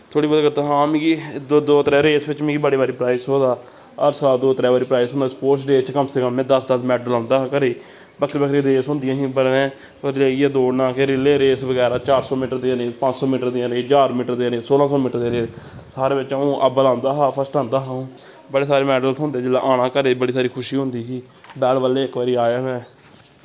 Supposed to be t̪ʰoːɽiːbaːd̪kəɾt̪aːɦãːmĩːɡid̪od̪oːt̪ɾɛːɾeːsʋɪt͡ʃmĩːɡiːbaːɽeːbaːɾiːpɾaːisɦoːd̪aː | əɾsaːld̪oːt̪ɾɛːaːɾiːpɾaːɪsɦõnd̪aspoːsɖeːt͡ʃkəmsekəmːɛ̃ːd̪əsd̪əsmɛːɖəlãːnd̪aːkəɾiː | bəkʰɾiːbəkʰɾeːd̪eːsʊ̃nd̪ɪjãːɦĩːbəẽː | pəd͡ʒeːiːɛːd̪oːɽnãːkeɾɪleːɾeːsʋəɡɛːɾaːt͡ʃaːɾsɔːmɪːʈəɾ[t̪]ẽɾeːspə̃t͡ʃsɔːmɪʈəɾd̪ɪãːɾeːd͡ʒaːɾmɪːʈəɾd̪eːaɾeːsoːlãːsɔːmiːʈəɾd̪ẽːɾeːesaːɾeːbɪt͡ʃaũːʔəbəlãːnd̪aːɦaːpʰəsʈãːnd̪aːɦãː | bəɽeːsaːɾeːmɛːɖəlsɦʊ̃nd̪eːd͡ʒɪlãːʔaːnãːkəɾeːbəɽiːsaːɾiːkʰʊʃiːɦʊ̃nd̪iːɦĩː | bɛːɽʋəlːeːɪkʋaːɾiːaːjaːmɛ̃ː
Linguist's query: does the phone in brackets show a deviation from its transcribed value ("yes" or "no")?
yes